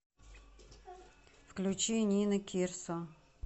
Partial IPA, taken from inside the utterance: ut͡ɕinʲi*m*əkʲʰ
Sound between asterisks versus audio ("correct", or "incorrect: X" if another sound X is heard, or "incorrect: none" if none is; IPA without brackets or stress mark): incorrect: n